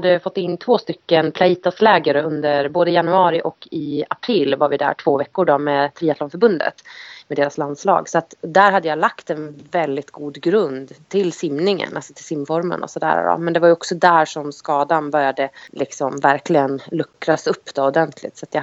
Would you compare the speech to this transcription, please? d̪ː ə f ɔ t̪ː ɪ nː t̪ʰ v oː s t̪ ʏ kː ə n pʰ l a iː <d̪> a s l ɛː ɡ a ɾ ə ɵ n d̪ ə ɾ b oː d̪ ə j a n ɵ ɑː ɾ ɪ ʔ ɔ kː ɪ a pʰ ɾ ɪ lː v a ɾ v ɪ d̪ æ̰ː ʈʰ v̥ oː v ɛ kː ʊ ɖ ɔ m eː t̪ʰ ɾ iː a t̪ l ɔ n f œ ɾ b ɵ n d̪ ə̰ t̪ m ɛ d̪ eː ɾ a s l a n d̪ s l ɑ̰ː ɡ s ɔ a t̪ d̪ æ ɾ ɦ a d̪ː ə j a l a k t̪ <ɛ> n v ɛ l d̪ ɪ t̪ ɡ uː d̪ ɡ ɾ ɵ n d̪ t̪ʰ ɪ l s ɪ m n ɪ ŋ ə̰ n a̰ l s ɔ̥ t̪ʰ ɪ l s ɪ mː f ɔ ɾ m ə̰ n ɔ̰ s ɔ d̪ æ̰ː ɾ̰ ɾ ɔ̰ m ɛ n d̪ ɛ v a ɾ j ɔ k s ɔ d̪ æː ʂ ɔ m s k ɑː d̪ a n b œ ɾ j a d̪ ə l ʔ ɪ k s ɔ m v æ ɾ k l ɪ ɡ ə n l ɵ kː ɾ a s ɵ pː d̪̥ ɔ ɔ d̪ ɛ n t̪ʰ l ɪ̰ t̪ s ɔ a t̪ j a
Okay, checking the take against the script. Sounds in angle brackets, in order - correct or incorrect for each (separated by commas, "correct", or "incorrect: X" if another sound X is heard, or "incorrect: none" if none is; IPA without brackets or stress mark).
incorrect: t̪, correct